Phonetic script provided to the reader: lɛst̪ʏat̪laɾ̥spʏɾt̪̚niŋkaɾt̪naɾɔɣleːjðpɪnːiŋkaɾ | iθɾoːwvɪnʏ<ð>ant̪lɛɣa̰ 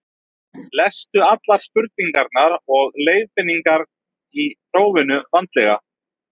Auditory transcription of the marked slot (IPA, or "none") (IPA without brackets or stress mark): v